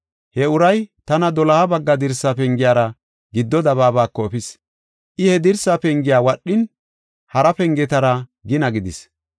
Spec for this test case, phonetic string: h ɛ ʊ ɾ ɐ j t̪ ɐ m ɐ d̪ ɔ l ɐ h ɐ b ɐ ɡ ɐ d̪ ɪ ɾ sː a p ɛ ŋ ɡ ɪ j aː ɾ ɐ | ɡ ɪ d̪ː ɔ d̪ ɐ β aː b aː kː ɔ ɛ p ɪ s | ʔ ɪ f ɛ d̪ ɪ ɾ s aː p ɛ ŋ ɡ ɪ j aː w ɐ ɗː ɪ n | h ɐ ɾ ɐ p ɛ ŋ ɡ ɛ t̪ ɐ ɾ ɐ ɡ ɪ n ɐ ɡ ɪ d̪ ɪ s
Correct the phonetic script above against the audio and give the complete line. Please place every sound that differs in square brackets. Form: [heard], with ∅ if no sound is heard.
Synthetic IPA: h ɛ ʊ ɾ ɐ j t̪ ɐ [n] ɐ d̪ ɔ l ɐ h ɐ b ɐ [ɡː] ɐ d̪ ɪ ɾ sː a p ɛ ŋ ɡ ɪ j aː ɾ ɐ | ɡ ɪ d̪ː ɔ d̪ ɐ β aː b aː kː ɔ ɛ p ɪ s | ʔ ɪ [h] ɛ d̪ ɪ ɾ s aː p ɛ ŋ ɡ ɪ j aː w ɐ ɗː ɪ n | h ɐ ɾ ɐ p ɛ ŋ ɡ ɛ t̪ ɐ ɾ ɐ ɡ ɪ n ɐ ɡ ɪ d̪ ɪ s